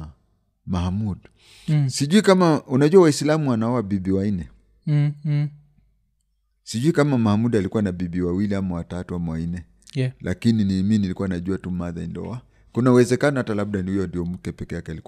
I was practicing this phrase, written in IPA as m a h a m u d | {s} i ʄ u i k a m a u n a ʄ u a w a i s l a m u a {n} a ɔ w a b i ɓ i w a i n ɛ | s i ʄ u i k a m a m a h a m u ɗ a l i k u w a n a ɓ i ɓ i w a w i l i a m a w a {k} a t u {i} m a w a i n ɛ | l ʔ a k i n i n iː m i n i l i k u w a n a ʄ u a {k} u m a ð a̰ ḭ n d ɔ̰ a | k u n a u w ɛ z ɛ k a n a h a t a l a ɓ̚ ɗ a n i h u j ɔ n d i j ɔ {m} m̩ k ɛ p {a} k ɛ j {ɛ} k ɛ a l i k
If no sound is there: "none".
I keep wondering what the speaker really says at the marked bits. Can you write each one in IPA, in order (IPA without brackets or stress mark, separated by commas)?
s, n, t, a, t, m, ɛ, a